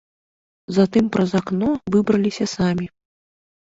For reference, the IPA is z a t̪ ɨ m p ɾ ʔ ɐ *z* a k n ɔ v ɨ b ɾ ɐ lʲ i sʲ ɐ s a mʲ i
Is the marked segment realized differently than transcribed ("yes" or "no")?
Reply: no